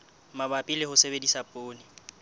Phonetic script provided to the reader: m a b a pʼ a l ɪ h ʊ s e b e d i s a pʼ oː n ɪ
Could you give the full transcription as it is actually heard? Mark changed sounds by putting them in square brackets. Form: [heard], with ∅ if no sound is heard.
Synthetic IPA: m a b a pʼ [i] l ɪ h ʊ s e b e d i s a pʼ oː n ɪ